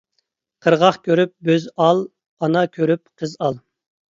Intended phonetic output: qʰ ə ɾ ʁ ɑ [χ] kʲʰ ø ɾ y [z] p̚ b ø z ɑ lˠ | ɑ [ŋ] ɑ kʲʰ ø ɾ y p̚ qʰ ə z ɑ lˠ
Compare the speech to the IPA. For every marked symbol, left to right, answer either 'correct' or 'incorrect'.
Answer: correct, incorrect: none, incorrect: n

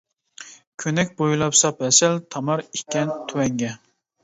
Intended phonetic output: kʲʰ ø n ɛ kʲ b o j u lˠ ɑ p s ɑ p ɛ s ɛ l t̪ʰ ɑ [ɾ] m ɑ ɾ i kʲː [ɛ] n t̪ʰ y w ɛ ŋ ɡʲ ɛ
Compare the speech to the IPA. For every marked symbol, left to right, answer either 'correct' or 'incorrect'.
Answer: incorrect: none, correct

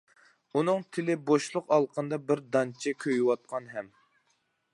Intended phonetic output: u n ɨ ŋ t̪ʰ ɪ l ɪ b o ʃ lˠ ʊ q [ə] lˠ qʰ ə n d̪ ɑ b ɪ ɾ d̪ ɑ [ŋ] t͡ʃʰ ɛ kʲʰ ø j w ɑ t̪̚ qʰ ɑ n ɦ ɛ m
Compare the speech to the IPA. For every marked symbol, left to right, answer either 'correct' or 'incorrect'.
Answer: incorrect: ɑ, incorrect: n

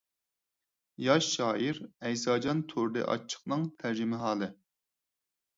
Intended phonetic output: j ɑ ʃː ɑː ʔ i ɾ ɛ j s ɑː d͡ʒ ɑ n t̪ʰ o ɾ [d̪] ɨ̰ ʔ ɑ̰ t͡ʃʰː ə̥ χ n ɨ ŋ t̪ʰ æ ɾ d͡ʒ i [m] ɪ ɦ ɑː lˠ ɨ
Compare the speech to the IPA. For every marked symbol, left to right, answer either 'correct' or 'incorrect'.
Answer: correct, correct

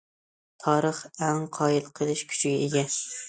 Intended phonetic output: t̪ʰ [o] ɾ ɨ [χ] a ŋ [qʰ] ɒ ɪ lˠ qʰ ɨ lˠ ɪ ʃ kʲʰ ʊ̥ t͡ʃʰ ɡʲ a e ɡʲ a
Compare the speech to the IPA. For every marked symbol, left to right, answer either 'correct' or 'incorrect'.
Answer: incorrect: ɒ, correct, correct

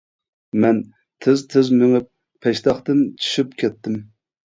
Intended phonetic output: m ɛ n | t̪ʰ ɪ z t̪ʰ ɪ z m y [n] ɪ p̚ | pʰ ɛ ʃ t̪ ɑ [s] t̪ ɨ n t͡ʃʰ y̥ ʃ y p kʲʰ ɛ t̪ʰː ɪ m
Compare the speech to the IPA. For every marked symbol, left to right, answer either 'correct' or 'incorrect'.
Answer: incorrect: ŋ, incorrect: χ

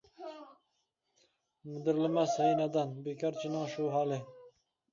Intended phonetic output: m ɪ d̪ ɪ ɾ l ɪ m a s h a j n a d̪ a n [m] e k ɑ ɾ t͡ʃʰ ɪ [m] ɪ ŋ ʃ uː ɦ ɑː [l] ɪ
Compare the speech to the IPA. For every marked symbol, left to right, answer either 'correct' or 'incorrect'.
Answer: incorrect: b, incorrect: n, correct

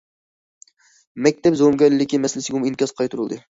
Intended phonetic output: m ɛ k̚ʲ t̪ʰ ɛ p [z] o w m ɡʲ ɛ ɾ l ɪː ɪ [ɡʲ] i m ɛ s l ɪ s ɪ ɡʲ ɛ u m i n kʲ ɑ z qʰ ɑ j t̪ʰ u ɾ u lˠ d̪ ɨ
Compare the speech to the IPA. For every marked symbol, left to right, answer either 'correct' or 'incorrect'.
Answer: correct, incorrect: kʲ

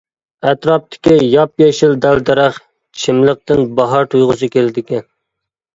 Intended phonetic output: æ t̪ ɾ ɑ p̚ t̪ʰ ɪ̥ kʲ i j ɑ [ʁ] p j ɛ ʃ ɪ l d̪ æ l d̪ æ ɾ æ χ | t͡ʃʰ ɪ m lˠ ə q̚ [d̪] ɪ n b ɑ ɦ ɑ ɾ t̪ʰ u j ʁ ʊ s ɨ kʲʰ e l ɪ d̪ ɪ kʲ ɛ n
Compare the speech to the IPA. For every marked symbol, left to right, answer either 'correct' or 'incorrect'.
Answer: incorrect: none, incorrect: t̪

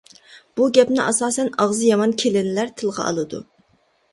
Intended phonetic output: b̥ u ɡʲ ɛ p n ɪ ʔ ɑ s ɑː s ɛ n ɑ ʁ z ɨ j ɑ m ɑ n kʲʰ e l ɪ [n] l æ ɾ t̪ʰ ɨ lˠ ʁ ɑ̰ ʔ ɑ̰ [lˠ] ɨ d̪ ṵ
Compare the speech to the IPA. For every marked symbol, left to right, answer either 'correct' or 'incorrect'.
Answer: correct, correct

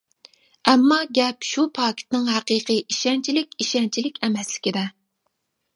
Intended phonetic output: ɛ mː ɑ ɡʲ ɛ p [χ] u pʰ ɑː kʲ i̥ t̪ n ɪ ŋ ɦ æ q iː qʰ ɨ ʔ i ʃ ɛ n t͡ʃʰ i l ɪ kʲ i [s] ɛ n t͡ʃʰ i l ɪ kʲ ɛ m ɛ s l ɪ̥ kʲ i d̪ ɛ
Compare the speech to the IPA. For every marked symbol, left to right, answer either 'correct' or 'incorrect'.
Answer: incorrect: ʃ, incorrect: ʃ

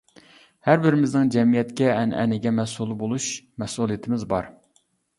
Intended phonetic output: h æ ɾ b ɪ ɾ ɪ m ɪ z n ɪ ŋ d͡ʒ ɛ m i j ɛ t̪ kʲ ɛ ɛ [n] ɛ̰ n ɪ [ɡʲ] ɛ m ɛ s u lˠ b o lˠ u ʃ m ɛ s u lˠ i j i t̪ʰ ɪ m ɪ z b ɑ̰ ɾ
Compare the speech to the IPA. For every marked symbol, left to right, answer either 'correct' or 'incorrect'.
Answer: correct, correct

